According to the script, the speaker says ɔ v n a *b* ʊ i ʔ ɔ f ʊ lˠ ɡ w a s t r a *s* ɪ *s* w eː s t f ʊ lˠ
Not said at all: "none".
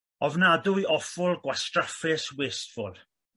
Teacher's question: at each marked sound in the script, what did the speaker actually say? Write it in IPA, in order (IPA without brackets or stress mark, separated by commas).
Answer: d, f, s